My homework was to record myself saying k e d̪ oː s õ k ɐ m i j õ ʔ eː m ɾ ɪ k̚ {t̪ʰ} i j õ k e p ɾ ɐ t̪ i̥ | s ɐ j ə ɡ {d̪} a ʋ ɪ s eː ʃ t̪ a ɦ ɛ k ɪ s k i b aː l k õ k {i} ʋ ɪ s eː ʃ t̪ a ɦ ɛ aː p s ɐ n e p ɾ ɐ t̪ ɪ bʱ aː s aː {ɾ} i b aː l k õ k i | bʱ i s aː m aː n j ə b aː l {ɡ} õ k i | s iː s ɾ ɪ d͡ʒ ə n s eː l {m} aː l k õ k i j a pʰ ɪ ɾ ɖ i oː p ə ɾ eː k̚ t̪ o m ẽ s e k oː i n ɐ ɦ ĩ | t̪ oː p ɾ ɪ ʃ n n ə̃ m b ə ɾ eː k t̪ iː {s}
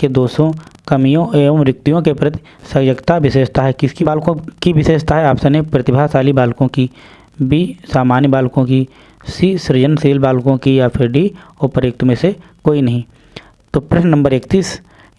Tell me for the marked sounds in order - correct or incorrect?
incorrect: t̪, incorrect: t̪, correct, incorrect: l, incorrect: k, incorrect: b, correct

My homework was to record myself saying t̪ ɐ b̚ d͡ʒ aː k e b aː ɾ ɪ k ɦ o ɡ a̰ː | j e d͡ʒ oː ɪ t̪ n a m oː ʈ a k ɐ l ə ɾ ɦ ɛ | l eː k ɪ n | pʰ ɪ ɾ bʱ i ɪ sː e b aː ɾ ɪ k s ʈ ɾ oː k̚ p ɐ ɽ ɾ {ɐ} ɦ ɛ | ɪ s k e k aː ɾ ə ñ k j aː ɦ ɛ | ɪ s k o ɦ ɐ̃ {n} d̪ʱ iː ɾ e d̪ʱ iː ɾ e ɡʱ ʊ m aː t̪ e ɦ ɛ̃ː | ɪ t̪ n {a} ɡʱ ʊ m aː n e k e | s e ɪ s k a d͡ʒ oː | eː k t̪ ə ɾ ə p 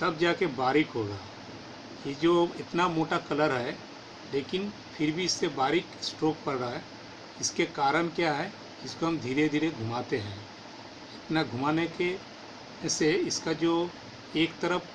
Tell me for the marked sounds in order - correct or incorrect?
incorrect: a, incorrect: m, correct

